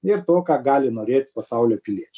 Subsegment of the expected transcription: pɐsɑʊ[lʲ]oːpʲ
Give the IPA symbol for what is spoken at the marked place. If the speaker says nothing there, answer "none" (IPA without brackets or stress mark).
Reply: lʲ